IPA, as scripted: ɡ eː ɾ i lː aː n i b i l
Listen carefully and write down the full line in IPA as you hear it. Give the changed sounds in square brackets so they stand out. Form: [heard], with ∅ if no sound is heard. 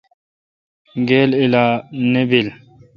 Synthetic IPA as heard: ɡ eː [l] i [l] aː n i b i l